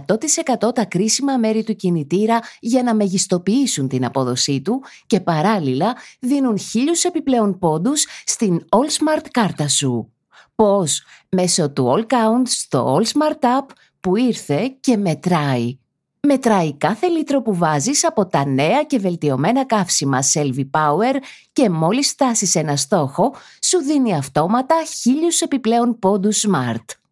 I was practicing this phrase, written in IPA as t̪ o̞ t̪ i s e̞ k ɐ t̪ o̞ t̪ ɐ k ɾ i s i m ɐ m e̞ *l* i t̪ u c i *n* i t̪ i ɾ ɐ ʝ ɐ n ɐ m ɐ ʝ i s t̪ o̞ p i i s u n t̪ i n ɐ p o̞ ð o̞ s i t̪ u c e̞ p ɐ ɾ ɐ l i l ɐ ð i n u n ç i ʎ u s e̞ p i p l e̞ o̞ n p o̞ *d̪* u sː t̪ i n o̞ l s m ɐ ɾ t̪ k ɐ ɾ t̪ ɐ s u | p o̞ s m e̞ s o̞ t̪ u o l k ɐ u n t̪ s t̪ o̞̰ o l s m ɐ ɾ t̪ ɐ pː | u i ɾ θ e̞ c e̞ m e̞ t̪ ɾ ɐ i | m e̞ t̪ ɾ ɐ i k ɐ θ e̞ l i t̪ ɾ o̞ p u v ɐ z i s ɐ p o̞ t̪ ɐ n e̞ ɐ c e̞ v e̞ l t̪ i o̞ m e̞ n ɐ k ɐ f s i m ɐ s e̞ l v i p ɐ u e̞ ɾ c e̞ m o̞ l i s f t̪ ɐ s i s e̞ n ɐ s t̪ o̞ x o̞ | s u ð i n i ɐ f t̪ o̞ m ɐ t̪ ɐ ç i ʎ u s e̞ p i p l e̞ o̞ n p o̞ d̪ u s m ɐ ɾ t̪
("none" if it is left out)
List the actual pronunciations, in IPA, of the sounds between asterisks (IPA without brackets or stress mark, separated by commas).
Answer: ɾ, n, d̪